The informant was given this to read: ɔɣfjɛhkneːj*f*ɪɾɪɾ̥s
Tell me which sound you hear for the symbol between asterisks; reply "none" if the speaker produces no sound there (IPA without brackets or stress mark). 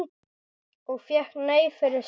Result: f